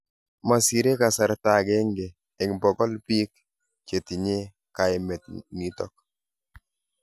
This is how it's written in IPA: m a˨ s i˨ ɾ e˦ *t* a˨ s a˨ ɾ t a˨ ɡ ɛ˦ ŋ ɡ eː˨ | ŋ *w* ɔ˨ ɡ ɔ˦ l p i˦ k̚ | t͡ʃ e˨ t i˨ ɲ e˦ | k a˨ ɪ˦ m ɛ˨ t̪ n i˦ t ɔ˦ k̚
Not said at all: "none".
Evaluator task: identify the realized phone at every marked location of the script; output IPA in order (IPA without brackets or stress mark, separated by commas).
k, b